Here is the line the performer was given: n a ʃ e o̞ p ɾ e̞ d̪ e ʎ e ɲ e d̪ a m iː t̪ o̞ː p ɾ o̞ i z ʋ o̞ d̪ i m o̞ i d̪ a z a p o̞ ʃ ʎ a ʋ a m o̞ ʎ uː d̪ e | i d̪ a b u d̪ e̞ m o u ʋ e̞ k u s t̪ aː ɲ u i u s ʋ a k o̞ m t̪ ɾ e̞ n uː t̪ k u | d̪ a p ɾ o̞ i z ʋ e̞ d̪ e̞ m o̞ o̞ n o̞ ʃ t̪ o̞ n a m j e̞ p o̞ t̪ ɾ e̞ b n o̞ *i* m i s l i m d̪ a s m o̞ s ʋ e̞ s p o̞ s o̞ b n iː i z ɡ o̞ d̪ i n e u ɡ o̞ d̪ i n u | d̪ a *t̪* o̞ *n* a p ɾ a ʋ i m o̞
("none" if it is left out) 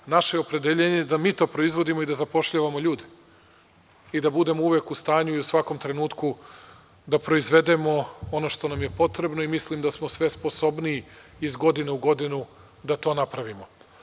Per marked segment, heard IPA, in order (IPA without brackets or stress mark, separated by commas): i, t̪, n